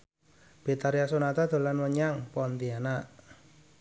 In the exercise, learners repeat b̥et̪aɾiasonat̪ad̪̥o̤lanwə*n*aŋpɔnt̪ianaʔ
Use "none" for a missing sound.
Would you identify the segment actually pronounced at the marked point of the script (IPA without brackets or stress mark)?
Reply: ɲ